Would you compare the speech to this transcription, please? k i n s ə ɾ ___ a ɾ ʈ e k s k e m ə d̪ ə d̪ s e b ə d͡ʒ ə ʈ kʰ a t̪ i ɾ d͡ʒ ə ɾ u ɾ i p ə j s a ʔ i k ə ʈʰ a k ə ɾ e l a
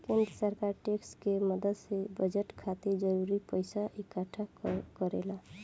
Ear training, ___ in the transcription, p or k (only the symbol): k